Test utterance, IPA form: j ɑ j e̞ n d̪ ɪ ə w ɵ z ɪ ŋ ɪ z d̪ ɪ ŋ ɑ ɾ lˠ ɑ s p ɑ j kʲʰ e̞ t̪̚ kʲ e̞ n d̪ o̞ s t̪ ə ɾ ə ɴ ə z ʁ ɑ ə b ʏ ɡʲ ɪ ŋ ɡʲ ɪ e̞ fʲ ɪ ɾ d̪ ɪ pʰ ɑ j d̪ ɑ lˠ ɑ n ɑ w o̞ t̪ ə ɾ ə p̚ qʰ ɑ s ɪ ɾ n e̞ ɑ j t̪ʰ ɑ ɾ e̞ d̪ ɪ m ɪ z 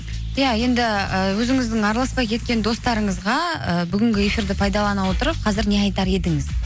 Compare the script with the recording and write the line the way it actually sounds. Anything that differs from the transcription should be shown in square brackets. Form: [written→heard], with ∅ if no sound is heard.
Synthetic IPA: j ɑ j e̞ n d̪ ɪ ə w ɵ z ɪ ŋ ɪ z d̪ ɪ ŋ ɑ ɾ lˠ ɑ s p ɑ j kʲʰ e̞ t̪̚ kʲ e̞ n d̪ o̞ s t̪ [ə→ɑ] ɾ ə ɴ ə z ʁ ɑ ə b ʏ ɡʲ ɪ ŋ ɡʲ ɪ e̞ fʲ [ɪ→i] ɾ d̪ ɪ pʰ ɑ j d̪ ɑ lˠ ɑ n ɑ w o̞ t̪ ə ɾ ə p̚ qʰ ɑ [s→z] ɪ ɾ n e̞ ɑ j [t̪ʰ→t̪] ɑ ɾ e̞ d̪ ɪ [m→ŋ] ɪ z